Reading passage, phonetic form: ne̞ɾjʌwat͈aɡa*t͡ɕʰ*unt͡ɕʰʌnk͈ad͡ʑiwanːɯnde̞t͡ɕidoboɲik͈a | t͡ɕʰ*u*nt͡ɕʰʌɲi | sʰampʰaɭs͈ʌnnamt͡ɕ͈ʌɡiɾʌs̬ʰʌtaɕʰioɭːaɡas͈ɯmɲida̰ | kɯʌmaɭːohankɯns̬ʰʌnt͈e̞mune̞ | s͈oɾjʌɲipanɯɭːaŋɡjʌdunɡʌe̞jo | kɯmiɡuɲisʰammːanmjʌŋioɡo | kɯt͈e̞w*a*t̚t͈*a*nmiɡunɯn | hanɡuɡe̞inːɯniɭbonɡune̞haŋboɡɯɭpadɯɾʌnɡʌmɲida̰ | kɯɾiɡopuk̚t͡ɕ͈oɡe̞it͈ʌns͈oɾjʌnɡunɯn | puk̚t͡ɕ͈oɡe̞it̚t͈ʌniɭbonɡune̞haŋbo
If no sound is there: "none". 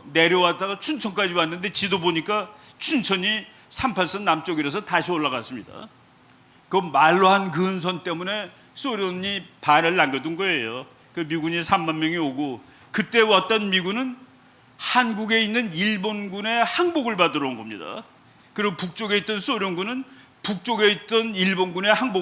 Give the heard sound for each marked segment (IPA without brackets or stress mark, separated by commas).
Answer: t͡ɕʰ, u, a, ʌ